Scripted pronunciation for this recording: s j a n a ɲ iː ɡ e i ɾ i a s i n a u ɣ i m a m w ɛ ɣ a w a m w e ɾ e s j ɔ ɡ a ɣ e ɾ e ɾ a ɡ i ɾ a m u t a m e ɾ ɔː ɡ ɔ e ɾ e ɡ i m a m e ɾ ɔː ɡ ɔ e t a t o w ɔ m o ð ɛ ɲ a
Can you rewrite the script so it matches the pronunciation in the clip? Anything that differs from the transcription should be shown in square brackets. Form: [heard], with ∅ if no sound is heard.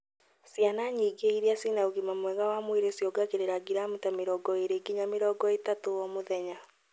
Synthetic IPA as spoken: s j a n a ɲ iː ɡ e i ɾ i a s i n a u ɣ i m a m w ɛ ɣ a w a m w e ɾ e s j ɔ ɡ a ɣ e ɾ e ɾ a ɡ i ɾ a m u t a m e ɾ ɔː ɡ ɔ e ɾ e ɡ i [ɲ] a m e ɾ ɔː ɡ ɔ e t a t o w ɔ m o ð ɛ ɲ a